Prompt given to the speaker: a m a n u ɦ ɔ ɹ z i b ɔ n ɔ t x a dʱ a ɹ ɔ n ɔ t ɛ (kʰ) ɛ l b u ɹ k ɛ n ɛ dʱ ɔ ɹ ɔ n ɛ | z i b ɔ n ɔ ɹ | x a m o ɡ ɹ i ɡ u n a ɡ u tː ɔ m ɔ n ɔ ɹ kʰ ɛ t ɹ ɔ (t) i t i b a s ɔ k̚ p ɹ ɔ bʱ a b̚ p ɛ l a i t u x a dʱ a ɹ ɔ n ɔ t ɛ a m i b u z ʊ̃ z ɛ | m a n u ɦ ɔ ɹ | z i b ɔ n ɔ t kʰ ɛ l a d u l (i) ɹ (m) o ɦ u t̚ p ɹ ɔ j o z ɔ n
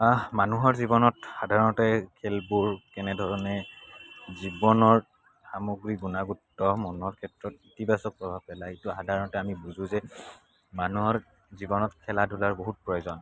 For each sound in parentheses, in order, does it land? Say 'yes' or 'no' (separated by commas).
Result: yes, yes, no, no